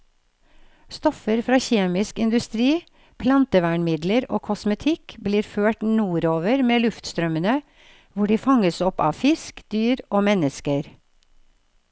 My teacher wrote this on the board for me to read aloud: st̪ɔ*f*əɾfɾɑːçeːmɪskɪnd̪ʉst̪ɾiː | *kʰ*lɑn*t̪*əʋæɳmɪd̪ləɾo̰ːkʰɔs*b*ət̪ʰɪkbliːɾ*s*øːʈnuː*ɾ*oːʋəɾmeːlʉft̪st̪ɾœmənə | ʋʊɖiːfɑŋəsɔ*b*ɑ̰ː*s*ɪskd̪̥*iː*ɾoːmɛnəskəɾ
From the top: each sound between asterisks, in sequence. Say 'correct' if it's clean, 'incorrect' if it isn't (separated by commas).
correct, incorrect, correct, incorrect, incorrect, correct, incorrect, incorrect, incorrect